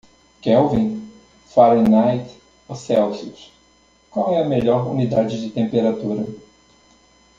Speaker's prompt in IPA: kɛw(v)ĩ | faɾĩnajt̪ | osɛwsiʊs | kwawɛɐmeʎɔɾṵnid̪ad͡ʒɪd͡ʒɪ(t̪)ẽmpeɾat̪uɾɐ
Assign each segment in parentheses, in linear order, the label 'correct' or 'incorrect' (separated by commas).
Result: correct, correct